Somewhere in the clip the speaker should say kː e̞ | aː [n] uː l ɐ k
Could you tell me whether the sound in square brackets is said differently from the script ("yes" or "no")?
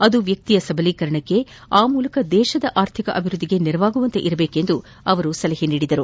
yes